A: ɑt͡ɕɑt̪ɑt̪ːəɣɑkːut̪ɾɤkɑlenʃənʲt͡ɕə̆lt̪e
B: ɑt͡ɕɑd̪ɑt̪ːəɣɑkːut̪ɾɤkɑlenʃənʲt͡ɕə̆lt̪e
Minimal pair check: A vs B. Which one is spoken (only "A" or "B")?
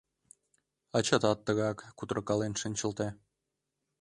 A